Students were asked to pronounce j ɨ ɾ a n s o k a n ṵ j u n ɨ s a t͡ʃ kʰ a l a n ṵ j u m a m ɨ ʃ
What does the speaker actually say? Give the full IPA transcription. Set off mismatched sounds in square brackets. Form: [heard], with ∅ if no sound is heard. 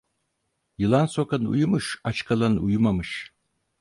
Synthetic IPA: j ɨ [l] a n s o k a n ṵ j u [m] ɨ [ʃ] a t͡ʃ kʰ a l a n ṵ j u m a m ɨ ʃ